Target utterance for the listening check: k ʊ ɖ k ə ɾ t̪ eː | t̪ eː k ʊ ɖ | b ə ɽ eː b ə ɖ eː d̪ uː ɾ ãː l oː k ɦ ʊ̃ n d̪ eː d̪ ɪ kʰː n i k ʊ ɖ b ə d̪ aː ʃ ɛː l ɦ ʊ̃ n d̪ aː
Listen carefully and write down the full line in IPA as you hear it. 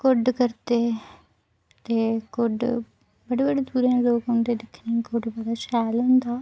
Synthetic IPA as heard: k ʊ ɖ k ə ɾ t̪ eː | t̪ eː k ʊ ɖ | b ə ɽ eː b ə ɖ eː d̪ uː ɾ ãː l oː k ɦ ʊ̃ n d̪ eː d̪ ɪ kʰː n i k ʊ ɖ b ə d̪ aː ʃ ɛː l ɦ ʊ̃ n d̪ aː